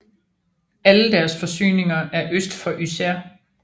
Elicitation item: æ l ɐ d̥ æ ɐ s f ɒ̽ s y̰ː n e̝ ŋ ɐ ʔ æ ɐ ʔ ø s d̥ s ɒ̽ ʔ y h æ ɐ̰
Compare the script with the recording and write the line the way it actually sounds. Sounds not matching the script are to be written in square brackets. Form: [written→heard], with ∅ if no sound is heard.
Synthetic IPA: æ l [ɐ→ə] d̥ æ ɐ s f ɒ̽ s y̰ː n e̝ ŋ ɐ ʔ æ ɐ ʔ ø s d̥ [s→f] ɒ̽ ʔ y [h→s] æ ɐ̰